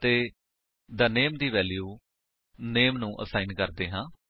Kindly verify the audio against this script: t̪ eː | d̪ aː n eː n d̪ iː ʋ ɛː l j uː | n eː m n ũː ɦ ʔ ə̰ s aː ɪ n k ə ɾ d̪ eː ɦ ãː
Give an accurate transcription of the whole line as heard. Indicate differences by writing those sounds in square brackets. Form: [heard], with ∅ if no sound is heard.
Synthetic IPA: t̪ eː | d̪ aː n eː [m] d̪ iː ʋ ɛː l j uː | n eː m n ũː [∅] ʔ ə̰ s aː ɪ n k ə ɾ d̪ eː ɦ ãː